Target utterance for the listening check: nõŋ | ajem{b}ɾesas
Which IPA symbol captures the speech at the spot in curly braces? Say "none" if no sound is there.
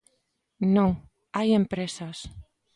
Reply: p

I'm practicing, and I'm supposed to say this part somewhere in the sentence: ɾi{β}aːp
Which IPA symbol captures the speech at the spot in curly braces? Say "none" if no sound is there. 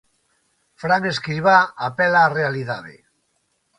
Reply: β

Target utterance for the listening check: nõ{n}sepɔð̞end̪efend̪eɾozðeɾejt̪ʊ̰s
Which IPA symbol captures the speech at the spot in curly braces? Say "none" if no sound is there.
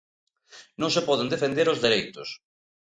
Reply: ŋ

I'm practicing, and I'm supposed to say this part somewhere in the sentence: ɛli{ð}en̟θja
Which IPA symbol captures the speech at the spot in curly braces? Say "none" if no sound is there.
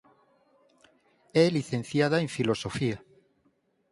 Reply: θ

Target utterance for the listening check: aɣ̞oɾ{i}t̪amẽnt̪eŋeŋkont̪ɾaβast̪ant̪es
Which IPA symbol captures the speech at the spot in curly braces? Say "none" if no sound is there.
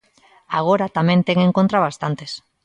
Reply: a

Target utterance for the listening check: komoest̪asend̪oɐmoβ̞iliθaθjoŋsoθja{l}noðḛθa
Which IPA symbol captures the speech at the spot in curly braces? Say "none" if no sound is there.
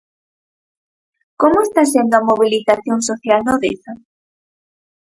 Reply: l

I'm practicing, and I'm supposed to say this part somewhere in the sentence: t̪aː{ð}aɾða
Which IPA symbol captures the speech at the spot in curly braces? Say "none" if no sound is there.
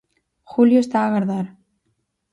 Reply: ɣ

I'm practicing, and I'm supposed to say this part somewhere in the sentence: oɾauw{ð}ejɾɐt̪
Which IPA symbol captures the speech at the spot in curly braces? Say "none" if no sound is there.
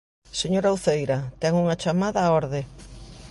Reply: θ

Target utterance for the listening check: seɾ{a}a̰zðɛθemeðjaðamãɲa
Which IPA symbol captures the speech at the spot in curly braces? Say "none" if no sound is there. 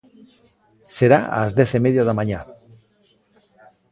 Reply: a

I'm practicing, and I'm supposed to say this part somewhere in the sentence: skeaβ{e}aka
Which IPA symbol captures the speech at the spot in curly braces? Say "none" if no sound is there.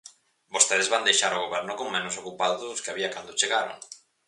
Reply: i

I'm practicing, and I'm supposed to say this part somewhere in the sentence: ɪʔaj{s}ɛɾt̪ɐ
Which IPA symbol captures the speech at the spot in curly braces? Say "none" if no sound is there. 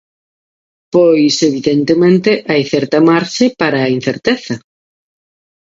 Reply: θ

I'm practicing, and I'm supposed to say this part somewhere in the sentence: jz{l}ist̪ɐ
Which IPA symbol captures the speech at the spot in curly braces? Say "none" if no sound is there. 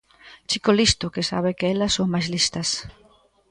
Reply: l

